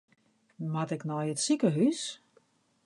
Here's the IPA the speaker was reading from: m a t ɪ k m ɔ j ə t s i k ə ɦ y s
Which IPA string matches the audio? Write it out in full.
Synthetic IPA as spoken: m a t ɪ k n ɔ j ə t s i k ə ɦ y s